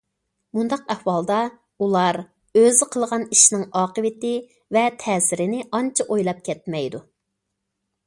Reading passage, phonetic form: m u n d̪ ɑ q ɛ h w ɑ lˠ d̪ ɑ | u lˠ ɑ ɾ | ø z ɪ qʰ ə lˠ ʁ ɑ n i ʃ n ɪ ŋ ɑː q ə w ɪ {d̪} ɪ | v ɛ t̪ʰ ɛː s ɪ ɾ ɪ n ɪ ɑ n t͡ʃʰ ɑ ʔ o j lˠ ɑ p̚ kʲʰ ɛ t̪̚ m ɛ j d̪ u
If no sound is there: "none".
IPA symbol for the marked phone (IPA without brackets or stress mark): t̪